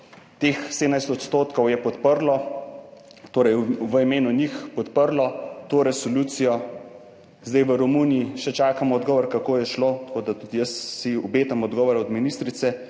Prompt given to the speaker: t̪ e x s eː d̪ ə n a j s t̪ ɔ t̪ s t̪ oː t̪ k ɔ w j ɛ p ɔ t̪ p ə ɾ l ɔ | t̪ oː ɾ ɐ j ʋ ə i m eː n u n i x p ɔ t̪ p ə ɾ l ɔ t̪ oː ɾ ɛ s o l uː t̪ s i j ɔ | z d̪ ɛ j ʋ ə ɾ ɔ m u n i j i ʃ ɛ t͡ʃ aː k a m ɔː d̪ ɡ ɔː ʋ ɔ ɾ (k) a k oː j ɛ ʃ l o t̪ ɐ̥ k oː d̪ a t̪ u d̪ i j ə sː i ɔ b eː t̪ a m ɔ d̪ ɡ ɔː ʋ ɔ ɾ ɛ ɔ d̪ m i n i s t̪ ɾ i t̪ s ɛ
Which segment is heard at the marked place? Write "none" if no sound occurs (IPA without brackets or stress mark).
k